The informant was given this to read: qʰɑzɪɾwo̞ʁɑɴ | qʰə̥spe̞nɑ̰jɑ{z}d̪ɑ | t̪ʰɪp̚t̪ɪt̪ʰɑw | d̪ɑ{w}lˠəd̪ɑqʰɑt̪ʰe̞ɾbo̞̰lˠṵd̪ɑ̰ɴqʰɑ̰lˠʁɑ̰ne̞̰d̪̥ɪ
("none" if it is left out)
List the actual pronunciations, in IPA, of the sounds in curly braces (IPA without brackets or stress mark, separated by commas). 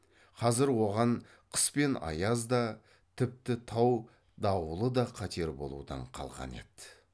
z, w